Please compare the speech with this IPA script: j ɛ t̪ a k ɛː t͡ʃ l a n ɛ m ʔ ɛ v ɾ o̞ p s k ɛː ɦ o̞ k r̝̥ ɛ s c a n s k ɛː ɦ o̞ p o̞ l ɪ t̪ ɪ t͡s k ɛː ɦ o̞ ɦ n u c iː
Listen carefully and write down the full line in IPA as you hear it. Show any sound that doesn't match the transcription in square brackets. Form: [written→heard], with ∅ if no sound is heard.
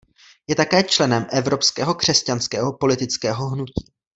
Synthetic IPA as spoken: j ɛ t̪ a k ɛː t͡ʃ l [a→ɛ] n ɛ m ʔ ɛ v ɾ o̞ p s k ɛː ɦ o̞ k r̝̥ ɛ s c a n s k ɛː ɦ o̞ p o̞ l ɪ t̪ ɪ t͡s k ɛː ɦ o̞ ɦ n u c iː